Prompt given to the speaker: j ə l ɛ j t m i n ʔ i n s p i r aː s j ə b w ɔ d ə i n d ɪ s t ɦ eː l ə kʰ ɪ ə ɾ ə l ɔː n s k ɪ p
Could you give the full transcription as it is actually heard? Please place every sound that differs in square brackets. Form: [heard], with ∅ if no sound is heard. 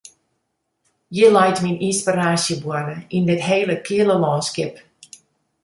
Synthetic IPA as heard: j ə l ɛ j t m i n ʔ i n s p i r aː s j ə b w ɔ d ə i n d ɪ [∅] t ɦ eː l ə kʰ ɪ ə [l] ə l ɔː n s k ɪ p